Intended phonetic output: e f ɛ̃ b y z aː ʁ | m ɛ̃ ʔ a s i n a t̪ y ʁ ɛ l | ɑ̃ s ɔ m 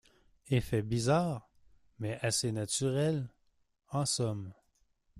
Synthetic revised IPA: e f ɛ b i z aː ʁ | m ɛ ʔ a s e n a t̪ y ʁ ɛ l | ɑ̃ s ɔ m